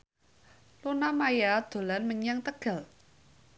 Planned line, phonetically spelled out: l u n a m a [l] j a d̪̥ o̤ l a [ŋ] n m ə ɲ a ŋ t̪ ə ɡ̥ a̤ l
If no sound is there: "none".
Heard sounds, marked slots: none, none

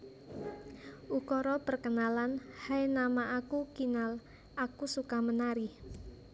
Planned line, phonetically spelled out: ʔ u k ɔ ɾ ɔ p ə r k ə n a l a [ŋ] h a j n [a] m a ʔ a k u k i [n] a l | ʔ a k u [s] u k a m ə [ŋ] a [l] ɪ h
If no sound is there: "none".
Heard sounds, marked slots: n, a, n, s, n, ɾ

